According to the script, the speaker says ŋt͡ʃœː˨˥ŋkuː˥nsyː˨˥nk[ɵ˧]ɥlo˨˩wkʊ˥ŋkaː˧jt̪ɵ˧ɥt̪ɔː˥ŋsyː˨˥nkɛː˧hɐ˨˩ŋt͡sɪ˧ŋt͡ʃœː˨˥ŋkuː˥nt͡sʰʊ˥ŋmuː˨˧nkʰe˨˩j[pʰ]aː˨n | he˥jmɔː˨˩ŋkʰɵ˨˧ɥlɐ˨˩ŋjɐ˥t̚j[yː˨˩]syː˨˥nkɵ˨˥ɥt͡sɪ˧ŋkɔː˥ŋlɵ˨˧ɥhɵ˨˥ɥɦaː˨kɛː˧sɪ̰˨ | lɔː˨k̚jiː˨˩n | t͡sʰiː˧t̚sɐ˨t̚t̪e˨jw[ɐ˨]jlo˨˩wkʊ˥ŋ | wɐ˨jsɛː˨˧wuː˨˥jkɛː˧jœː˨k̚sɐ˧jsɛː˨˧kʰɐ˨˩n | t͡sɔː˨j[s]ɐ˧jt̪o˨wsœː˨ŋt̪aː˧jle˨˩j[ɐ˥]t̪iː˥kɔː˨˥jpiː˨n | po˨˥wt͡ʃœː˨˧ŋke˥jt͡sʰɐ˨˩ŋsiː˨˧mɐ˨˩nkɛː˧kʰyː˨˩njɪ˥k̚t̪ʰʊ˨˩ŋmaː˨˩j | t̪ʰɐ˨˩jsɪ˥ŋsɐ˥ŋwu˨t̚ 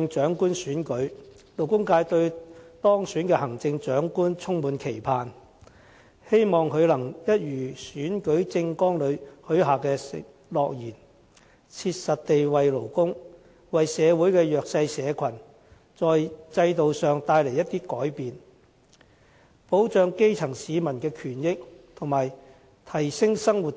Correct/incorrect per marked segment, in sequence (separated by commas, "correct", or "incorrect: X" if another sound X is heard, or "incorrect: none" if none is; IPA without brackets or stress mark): incorrect: ɵ˨˥, correct, correct, correct, incorrect: t͡s, correct